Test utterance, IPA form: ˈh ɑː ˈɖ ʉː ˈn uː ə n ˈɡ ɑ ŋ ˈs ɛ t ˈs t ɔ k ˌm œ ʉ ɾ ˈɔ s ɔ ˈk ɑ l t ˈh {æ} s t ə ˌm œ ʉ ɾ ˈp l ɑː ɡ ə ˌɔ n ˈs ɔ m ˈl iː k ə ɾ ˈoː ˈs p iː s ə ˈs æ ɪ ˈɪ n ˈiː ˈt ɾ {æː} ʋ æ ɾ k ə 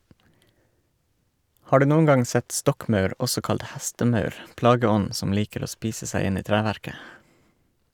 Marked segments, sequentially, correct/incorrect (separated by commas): correct, correct